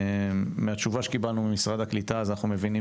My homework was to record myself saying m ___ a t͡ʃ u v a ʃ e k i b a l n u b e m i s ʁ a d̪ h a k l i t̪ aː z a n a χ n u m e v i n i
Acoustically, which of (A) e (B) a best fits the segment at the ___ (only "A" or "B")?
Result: A